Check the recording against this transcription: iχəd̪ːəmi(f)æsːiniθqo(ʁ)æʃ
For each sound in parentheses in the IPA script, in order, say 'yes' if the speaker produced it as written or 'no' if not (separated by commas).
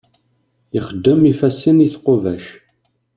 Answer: yes, no